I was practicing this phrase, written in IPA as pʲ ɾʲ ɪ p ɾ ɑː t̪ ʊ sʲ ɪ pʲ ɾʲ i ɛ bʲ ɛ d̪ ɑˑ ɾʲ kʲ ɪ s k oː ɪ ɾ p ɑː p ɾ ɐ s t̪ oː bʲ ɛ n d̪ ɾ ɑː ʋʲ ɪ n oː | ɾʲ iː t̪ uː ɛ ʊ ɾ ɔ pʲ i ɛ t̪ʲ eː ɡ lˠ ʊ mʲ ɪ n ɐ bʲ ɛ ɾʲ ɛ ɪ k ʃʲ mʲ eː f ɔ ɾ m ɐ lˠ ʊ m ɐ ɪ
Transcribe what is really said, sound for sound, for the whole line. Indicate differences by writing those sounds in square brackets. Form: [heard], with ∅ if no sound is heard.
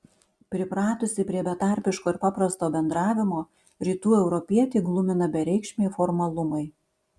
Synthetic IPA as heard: pʲ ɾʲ ɪ p ɾ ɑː t̪ ʊ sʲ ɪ pʲ ɾʲ i ɛ bʲ ɛ [t̪] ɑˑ ɾʲ [pʲ] ɪ [ʃ] k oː ɪ ɾ p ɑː p ɾ ɐ s t̪ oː bʲ ɛ n d̪ ɾ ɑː ʋʲ ɪ [m] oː | ɾʲ iː t̪ uː ɛ ʊ ɾ ɔ pʲ i ɛ t̪ʲ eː ɡ lˠ ʊ mʲ ɪ n ɐ bʲ ɛ ɾʲ ɛ ɪ k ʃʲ mʲ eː f ɔ ɾ m ɐ lˠ ʊ m ɐ ɪ